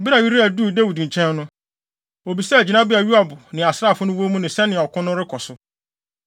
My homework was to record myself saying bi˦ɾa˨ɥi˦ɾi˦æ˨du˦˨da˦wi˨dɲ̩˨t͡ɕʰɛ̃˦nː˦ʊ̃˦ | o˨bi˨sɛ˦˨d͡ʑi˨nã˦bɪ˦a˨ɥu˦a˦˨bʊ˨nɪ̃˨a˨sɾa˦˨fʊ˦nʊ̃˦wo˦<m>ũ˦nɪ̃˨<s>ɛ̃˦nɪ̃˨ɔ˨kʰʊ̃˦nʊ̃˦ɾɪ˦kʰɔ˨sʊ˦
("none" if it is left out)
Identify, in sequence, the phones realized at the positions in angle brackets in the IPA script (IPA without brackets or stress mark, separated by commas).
m, s